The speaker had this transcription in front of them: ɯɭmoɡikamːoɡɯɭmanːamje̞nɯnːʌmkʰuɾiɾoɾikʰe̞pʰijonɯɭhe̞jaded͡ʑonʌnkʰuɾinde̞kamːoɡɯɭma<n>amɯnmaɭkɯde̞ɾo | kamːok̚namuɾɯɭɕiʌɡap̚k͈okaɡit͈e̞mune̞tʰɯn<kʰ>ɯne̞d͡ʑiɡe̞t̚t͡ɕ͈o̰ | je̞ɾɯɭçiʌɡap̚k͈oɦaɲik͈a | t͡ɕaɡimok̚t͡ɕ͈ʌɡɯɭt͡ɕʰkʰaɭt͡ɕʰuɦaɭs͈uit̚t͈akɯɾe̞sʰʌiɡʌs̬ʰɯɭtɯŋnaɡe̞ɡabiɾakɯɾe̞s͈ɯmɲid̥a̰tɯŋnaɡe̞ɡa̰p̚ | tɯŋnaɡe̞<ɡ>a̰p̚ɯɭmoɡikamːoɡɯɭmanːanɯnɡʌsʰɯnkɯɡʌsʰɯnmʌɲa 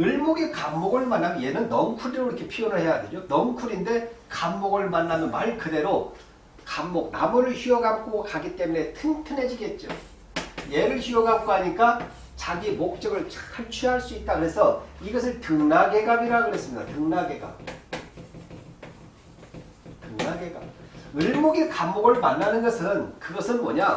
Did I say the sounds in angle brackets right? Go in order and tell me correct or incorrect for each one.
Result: incorrect, incorrect, correct

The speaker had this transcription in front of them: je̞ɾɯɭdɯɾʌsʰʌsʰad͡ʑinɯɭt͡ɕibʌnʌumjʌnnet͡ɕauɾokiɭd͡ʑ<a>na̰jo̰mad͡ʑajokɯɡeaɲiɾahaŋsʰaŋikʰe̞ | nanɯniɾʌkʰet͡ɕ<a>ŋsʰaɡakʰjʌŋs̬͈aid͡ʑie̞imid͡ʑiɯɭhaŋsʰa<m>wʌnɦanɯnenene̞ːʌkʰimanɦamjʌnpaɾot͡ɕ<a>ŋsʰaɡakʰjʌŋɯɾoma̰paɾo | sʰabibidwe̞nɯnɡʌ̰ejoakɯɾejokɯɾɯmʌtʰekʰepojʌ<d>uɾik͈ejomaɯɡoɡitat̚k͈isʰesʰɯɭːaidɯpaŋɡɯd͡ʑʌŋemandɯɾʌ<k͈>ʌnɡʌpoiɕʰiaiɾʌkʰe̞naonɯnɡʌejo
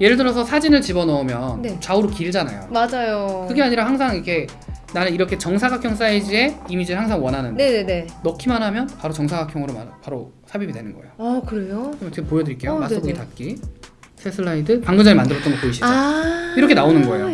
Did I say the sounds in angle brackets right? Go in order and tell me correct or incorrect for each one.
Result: correct, incorrect, incorrect, incorrect, correct, incorrect

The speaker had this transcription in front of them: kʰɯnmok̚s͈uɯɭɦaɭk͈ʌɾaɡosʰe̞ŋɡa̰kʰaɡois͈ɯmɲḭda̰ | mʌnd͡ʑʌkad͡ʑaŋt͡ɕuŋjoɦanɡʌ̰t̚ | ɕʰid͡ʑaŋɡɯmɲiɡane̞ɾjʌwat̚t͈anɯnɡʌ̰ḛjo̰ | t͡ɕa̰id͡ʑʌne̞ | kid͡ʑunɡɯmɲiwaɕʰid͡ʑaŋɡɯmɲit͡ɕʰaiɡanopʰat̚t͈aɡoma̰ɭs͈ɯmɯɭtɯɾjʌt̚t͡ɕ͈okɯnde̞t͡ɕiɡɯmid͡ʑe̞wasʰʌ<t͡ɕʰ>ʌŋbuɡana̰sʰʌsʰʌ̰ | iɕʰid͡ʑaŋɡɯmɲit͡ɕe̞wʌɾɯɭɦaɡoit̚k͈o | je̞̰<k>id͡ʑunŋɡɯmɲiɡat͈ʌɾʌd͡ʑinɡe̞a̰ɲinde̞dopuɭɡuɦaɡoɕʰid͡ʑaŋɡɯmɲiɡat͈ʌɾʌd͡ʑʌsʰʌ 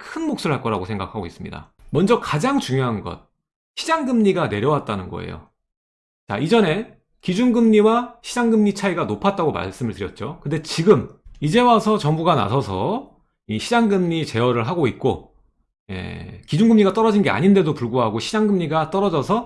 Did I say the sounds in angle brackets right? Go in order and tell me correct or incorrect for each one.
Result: incorrect, correct

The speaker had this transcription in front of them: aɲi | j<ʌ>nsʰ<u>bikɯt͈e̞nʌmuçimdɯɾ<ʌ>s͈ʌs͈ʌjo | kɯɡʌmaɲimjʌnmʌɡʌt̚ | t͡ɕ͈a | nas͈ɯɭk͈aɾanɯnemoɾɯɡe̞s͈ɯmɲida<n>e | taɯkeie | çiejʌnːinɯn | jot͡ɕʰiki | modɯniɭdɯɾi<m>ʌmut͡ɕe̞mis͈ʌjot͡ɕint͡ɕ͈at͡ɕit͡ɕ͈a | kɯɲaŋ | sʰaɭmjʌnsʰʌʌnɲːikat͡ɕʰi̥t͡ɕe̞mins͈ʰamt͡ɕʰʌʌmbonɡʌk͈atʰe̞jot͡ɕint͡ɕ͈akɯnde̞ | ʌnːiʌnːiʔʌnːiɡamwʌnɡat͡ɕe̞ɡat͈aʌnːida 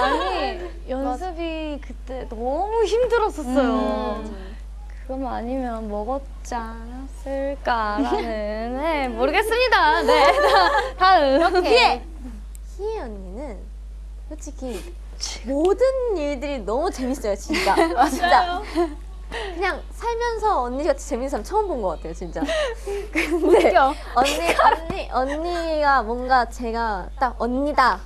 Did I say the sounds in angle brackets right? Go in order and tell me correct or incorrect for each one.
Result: correct, incorrect, correct, correct, incorrect

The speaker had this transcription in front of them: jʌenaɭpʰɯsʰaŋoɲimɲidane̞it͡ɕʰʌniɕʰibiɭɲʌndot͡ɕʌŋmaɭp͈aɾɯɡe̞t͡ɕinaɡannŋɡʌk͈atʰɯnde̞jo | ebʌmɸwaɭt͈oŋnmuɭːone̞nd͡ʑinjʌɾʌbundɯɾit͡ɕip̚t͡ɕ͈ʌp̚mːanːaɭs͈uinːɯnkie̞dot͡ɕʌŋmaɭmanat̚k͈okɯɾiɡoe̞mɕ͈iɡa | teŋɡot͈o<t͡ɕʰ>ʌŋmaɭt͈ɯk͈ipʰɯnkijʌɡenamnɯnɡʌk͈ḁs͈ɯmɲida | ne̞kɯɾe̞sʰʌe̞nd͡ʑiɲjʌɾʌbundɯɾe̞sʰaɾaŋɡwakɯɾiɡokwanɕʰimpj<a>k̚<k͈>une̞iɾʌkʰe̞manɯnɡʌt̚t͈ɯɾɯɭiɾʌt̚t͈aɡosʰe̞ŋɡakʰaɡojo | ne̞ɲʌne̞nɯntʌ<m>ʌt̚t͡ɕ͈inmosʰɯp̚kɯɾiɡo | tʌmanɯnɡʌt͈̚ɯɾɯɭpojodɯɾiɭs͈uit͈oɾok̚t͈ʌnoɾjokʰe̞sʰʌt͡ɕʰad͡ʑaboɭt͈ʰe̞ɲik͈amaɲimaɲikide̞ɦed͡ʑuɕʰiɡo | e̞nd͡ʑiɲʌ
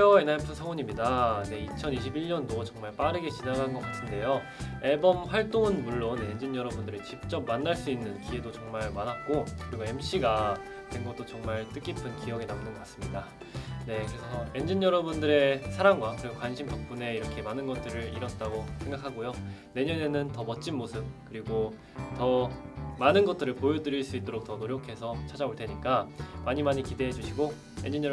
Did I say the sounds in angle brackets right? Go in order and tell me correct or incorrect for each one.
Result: incorrect, incorrect, incorrect, correct

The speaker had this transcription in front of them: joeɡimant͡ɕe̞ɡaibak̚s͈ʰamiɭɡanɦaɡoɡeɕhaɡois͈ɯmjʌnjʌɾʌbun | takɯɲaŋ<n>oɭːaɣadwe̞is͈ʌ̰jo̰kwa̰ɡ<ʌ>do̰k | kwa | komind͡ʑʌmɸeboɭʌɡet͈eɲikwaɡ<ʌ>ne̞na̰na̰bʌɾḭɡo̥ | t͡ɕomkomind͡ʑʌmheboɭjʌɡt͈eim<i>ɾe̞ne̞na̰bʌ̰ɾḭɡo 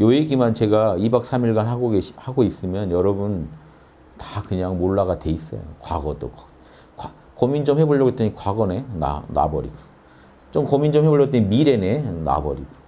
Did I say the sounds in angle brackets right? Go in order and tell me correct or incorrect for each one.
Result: incorrect, correct, correct, correct

